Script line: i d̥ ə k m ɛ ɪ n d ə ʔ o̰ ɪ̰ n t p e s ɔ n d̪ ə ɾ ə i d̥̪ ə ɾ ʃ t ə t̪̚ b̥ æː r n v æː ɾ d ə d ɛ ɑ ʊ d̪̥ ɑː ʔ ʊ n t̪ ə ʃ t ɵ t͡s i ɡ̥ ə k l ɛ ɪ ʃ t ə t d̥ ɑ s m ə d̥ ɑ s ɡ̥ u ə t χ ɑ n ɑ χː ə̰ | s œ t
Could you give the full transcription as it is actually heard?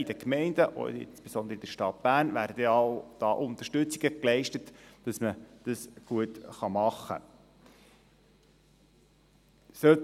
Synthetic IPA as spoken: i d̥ ə k m ɛ ɪ n d ə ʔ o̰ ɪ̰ n s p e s ɔ n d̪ ə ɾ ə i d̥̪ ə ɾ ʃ t ɑ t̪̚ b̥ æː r n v æː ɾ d ə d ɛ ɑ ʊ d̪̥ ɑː ʔ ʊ n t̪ ə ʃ t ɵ t͡s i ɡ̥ ə k l ɛ ɪ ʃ t ə t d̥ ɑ s m ə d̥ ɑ s ɡ̥ u ə t χ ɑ m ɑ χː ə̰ | s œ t